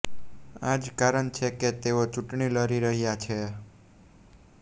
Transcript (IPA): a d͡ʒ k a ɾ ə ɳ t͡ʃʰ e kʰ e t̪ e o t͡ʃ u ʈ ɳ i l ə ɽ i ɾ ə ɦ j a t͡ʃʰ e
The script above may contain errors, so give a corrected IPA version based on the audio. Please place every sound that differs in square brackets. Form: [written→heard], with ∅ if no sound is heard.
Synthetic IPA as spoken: a d͡ʒ k a ɾ ə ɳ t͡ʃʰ e [kʰ→k] e t̪ e o t͡ʃ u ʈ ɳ i l ə [ɽ→ɾ] i ɾ ə ɦ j a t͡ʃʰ e